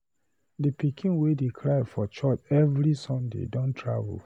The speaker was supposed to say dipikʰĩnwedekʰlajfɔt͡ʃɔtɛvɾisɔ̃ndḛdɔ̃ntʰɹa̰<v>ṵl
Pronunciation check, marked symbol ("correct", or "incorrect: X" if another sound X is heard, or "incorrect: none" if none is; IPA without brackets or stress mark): correct